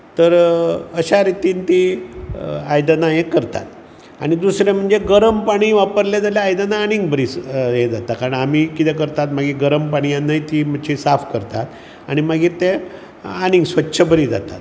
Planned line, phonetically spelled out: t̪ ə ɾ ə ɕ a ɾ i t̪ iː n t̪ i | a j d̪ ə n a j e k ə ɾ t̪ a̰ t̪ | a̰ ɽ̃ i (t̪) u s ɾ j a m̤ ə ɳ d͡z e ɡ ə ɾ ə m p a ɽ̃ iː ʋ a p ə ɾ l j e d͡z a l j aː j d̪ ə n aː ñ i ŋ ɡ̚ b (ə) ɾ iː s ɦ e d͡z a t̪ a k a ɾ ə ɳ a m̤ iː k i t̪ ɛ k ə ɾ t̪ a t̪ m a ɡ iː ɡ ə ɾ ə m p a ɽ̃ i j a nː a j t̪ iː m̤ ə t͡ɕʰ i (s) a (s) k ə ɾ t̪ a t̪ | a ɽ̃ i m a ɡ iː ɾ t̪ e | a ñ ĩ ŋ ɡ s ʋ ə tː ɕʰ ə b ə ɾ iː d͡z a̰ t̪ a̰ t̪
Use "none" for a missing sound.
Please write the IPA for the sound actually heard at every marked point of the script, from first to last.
d̪, ə, s, f

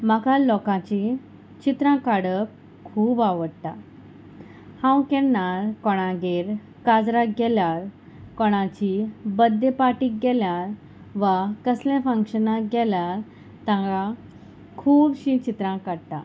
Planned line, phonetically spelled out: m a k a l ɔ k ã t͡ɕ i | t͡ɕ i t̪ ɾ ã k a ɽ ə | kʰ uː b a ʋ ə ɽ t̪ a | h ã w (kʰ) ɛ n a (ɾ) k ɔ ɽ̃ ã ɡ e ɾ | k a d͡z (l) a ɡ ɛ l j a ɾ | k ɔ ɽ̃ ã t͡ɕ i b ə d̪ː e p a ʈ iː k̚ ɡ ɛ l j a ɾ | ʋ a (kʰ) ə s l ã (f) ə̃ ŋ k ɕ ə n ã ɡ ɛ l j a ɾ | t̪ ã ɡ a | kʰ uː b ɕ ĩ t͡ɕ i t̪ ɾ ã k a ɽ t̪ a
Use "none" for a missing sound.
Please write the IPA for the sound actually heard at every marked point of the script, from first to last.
k, ɾ, ɾ, k, f

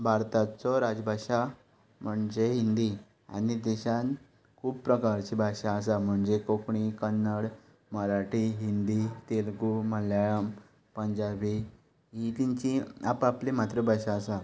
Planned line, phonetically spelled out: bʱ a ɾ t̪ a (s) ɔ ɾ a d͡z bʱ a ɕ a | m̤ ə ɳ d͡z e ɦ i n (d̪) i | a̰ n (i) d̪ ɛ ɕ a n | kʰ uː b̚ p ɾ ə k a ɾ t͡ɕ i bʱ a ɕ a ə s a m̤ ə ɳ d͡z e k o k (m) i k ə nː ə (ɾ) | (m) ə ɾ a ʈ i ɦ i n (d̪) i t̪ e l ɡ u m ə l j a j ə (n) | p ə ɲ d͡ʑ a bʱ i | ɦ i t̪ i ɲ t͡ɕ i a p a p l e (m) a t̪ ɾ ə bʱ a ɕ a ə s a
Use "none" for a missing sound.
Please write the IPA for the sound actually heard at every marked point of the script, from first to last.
t͡s, d̪, i, ɳ, ɽ, m, d̪, m, m

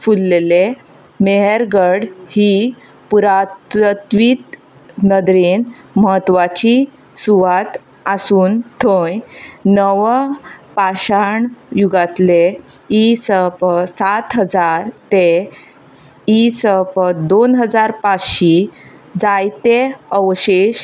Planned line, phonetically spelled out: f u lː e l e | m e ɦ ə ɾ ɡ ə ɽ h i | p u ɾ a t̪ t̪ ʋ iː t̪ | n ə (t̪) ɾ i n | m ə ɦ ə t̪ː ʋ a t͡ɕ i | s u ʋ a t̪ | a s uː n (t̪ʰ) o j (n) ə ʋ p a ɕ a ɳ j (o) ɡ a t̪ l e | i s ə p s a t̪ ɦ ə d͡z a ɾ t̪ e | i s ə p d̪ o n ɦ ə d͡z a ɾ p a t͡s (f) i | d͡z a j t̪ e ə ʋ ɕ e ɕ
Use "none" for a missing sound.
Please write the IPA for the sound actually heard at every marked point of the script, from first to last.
d̪, t̪ʰ, n, u, ɕ

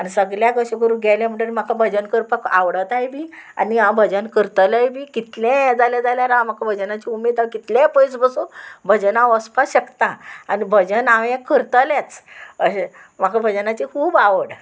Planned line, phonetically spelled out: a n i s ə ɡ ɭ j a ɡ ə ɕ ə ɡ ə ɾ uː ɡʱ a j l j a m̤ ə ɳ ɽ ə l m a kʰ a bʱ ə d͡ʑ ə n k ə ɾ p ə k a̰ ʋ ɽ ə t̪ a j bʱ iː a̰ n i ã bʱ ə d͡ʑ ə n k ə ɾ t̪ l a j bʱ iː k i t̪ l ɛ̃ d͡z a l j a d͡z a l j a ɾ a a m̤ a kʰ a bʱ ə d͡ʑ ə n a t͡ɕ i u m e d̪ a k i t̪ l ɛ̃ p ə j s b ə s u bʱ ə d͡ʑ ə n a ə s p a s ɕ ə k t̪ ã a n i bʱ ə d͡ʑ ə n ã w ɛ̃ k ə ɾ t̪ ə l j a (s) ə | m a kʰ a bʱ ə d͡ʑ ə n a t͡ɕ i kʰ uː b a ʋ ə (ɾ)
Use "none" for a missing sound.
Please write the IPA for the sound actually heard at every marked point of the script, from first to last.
t͡s, ɽ

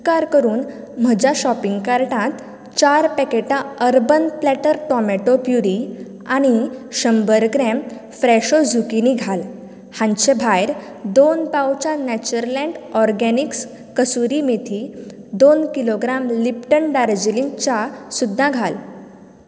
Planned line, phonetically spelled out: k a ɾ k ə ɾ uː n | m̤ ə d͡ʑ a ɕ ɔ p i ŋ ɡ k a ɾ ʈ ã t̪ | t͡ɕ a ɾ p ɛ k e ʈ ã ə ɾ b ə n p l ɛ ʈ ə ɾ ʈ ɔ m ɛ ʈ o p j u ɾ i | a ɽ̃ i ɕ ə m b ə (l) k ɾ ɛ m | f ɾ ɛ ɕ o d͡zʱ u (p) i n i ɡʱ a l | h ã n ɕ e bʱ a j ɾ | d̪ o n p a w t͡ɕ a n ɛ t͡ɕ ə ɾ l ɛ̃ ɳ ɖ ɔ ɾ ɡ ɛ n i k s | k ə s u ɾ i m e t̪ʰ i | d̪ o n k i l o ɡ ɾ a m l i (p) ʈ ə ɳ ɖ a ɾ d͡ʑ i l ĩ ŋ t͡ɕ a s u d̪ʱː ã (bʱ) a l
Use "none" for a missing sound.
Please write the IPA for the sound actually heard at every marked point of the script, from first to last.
ɾ, k, p, ɡʱ

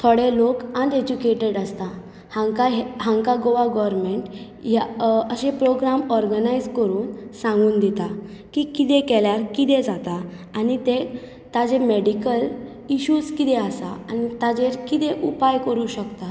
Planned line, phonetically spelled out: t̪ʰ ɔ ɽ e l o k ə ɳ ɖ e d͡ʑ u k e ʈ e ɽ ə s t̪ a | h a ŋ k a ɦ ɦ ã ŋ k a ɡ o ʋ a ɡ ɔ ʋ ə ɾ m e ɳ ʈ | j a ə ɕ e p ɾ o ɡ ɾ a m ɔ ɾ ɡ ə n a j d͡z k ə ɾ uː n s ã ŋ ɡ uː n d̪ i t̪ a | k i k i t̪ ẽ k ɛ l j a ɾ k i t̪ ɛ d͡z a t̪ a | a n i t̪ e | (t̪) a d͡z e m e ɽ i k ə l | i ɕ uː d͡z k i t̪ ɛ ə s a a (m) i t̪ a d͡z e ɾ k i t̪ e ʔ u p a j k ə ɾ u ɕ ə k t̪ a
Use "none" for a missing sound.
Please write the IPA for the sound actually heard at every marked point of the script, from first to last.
t̪, n

